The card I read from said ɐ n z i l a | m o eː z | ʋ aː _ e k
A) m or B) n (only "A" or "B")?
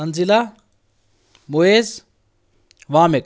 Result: A